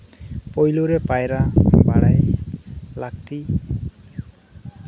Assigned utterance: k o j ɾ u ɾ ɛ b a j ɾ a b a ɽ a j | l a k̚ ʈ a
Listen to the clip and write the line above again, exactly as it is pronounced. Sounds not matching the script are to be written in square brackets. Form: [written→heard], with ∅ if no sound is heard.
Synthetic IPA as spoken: [k→p] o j [ɾ→l] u ɾ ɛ [b→p] a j ɾ a b a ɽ a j | l a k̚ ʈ [a→i]